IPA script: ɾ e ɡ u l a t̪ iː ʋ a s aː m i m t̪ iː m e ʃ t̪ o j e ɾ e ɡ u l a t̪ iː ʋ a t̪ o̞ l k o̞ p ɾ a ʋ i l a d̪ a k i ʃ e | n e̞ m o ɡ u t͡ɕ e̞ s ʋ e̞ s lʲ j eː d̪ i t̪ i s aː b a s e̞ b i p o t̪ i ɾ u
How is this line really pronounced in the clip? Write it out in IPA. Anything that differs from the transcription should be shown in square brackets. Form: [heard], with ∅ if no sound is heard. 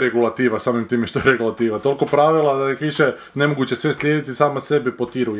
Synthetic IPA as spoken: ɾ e ɡ u l a t̪ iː ʋ a s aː m i m t̪ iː m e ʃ t̪ o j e ɾ e ɡ u l a t̪ iː ʋ a t̪ o̞ l k o̞ p ɾ a ʋ i l a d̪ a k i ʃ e | n e̞ m o ɡ u t͡ɕ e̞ s ʋ e̞ s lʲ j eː d̪ i t̪ i s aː [m] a s e̞ b i p o t̪ i ɾ u